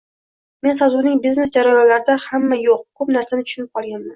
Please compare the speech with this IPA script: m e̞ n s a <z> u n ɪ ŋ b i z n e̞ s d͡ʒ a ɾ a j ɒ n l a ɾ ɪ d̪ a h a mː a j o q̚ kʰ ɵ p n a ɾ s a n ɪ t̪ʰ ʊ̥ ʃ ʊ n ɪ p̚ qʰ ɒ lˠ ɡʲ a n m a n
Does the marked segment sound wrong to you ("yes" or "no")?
no